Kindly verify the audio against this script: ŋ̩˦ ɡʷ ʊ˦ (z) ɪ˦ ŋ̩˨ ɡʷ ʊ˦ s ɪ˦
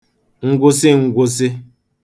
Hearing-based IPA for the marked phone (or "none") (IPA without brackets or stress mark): s